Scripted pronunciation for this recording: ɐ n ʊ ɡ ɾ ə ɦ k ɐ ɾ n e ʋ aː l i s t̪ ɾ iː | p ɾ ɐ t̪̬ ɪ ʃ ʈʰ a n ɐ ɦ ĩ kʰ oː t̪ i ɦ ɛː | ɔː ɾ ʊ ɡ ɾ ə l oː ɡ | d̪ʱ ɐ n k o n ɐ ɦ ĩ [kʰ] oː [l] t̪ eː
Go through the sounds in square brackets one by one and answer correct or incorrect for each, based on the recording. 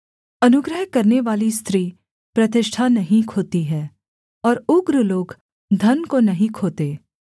correct, incorrect: none

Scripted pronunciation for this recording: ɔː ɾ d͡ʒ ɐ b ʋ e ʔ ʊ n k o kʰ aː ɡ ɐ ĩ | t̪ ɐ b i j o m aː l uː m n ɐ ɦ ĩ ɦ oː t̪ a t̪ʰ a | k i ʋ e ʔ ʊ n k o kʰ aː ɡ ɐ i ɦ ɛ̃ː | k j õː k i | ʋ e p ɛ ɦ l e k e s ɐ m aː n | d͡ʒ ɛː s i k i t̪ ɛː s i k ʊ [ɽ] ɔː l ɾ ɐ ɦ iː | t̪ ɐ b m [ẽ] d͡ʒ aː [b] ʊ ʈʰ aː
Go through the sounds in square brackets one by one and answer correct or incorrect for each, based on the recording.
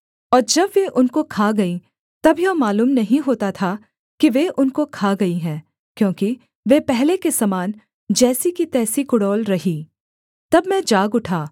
correct, incorrect: ɛ̃, incorrect: ɡ

